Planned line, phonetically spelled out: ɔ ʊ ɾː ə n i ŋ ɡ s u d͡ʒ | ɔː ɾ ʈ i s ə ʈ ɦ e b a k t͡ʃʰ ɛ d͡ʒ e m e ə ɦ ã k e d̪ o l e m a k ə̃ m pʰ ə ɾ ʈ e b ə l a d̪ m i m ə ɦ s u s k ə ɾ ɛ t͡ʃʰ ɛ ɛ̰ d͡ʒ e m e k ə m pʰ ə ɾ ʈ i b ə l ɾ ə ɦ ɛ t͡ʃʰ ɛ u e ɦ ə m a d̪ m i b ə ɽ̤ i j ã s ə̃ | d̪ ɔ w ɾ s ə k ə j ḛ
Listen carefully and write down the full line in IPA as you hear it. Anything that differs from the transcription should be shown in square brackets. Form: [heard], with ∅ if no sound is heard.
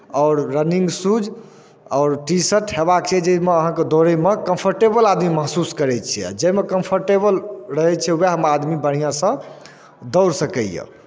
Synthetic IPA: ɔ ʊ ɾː ə n i ŋ ɡ s u d͡ʒ | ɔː ɾ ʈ i s ə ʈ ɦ e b a k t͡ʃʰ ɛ d͡ʒ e m e ə ɦ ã k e d̪ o [ɾ] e m [e] k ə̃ m pʰ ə ɾ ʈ e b ə l a d̪ m i m ə ɦ s u s k ə ɾ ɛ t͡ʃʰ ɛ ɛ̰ d͡ʒ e m e k ə m pʰ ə ɾ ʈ [e] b ə l ɾ ə ɦ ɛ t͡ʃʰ ɛ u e ɦ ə m a d̪ m i b ə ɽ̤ i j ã s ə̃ | d̪ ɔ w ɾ s ə k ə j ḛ

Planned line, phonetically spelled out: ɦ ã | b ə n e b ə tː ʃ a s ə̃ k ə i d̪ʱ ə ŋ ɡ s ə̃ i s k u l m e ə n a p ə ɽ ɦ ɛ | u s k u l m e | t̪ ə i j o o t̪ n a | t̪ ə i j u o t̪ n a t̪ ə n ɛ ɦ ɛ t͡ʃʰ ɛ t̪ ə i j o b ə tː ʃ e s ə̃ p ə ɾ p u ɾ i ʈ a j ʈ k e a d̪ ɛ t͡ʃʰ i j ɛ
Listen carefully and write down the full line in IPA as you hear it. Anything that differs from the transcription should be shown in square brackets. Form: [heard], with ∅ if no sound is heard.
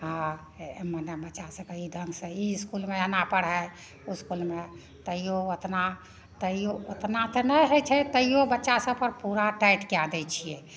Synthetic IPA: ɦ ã | [m] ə n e b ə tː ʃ a s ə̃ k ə i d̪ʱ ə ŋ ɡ s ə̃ i s k u l m e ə n a p ə ɽ ɦ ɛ | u s k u l m e | t̪ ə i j o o t̪ n a | t̪ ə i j [o] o t̪ n a t̪ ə n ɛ ɦ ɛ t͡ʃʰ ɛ t̪ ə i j o b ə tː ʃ [a] s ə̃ p ə ɾ p u ɾ [a] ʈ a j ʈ k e a d̪ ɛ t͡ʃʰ i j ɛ

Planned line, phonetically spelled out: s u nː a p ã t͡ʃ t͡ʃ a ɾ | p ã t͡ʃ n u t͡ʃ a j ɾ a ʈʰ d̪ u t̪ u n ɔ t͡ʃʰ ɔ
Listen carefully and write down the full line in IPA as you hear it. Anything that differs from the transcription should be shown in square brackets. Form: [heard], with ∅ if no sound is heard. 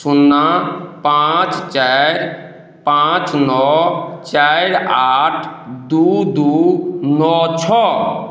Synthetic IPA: s u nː a p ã t͡ʃ t͡ʃ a ɾ | p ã t͡ʃ n [ɔ] t͡ʃ a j ɾ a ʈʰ d̪ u [d̪] u n ɔ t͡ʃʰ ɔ

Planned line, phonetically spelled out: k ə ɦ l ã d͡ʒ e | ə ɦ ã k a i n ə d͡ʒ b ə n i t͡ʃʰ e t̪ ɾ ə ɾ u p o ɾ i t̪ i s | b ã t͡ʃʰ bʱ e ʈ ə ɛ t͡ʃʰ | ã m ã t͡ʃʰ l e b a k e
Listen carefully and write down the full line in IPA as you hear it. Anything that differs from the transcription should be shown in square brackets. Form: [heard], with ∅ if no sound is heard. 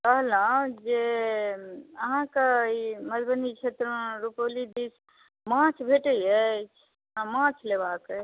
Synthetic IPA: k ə ɦ l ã d͡ʒ e | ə ɦ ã k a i [m] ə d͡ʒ b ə n i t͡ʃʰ e t̪ ɾ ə ɾ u p o [l] i [d̪] i s | [m] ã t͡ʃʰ bʱ e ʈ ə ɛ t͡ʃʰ | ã m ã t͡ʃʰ l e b a k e

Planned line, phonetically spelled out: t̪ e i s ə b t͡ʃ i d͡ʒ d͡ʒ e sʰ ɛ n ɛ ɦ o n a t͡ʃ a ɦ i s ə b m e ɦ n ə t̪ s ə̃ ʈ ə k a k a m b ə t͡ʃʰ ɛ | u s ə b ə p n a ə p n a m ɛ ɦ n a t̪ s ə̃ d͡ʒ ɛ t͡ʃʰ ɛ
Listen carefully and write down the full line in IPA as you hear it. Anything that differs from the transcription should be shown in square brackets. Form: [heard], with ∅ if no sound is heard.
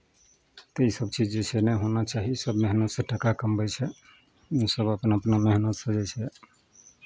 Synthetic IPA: t̪ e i s ə b t͡ʃ i d͡ʒ d͡ʒ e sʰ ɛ n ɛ ɦ o n a t͡ʃ a ɦ i s ə b m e ɦ n ə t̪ s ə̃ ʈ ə k a k [ə] m b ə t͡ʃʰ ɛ | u s ə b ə p n a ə p n a m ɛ ɦ n [ə] t̪ s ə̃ d͡ʒ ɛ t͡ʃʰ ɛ

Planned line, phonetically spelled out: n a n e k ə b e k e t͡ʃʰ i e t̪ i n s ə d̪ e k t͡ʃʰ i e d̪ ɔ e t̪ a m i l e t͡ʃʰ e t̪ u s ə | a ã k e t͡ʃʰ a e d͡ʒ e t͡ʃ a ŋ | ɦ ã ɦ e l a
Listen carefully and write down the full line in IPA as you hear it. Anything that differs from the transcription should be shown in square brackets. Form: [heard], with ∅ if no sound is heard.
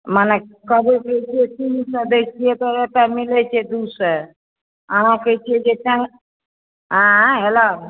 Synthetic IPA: [m] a n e k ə b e k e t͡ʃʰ i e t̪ i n s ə d̪ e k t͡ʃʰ i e [t̪] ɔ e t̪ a m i l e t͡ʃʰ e [d̪] u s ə | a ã k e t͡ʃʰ [i] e d͡ʒ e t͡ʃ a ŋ | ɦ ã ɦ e l a

